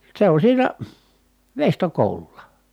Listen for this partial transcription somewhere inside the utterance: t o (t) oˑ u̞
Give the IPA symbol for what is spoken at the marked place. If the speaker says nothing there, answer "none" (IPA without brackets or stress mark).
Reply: k